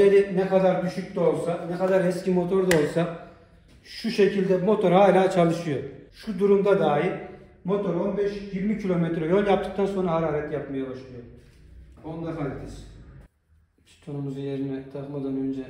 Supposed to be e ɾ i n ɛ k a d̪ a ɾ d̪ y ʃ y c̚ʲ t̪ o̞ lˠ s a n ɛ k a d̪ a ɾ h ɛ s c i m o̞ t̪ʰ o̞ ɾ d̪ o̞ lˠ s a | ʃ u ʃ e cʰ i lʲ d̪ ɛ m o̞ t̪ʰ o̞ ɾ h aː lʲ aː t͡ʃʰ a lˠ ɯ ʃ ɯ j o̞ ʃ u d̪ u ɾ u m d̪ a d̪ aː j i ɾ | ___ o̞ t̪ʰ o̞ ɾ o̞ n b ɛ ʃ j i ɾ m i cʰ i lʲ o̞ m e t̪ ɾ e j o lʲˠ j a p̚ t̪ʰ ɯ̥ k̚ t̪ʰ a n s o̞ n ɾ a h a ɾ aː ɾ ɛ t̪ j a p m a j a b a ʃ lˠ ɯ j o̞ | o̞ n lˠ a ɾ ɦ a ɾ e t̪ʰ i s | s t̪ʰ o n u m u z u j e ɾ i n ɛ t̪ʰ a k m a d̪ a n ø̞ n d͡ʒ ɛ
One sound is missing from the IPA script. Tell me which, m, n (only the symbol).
m